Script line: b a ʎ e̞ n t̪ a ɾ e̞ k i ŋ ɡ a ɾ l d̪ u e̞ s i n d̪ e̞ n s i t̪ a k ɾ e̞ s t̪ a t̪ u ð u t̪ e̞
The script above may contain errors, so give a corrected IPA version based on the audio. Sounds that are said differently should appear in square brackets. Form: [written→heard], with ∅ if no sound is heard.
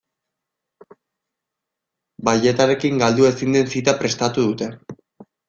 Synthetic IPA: b a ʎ e̞ [n→∅] t̪ a ɾ e̞ k i ŋ ɡ a [ɾ→∅] l d̪ u e̞ s i n d̪ e̞ n s i t̪ a [k→p] ɾ e̞ s t̪ a t̪ u ð u t̪ e̞